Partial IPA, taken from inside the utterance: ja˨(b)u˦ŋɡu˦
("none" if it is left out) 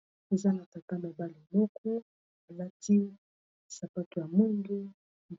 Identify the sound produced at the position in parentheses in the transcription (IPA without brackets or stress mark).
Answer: m